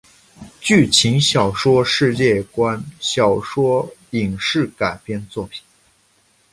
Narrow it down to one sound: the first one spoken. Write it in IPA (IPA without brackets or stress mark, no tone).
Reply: t͡ɕ